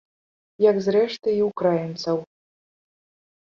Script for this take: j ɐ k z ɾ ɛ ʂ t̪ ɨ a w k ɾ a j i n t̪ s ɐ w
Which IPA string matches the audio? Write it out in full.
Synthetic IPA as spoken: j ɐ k z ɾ ɛ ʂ t̪ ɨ i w k ɾ a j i n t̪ s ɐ w